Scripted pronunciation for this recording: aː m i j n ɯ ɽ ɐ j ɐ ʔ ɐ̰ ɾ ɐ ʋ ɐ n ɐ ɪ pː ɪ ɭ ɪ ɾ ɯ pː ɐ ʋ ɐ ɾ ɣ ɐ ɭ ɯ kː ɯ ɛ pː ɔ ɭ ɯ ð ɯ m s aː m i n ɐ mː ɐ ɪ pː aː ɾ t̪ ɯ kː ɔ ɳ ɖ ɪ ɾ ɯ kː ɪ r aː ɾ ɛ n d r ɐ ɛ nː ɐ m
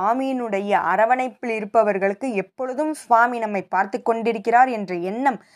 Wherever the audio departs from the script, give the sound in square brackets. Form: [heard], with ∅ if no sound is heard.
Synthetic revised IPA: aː m i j n ɯ ɽ ɐ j ɐ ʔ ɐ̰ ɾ ɐ ʋ ɐ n ɐ ɪ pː ɪ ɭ ɪ ɾ ɯ pː ɐ ʋ ɐ ɾ ɣ ɐ ɭ ɯ kː ɯ ɛ pː ɔ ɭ ɯ ð ɯ m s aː m i n ɐ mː ɐ ɪ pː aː ɾ t̪ ɯ kː ɔ ɳ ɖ ɪ ɾ ɯ kː ɪ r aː ɾ ɛ n d r ɐ ɛ nː ɐ m